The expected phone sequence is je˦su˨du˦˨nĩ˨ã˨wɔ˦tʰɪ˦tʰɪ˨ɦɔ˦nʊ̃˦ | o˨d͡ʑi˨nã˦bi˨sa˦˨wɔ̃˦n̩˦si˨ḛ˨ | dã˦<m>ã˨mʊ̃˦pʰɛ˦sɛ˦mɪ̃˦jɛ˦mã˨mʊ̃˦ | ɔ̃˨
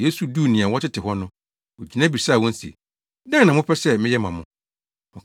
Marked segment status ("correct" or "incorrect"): incorrect